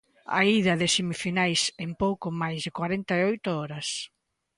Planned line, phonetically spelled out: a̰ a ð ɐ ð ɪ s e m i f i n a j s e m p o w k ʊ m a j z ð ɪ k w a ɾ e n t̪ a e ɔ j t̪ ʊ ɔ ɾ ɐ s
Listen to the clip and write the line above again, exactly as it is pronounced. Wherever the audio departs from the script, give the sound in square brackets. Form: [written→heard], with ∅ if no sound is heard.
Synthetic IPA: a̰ [a→i] ð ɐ ð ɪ s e m i f i n a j s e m p o w k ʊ m a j z ð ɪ k w a ɾ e n t̪ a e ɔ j t̪ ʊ ɔ ɾ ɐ s